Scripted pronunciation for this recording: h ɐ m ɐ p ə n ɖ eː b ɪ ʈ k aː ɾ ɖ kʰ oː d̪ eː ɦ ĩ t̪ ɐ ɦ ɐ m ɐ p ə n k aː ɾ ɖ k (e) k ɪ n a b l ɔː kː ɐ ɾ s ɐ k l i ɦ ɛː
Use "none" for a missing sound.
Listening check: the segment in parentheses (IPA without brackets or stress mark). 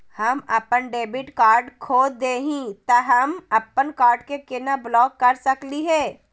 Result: e